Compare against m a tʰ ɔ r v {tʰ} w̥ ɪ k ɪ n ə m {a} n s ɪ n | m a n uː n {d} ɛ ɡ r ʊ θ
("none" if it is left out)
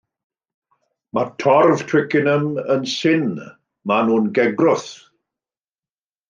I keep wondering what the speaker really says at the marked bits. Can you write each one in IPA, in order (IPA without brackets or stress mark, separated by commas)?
tʰ, ə, ɡ